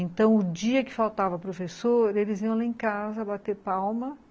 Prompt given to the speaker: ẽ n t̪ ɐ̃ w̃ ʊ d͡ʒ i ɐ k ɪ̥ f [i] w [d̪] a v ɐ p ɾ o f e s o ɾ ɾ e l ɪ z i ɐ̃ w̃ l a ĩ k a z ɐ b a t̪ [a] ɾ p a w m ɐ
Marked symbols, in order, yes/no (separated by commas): no, no, no